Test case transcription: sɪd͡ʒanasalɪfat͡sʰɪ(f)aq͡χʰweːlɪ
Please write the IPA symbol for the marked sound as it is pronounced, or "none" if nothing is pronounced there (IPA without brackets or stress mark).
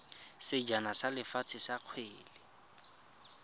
s